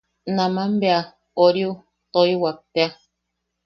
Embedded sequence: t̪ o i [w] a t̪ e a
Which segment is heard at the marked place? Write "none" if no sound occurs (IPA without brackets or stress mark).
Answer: w